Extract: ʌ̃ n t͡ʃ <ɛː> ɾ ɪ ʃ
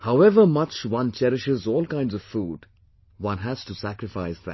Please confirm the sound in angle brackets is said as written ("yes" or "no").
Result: no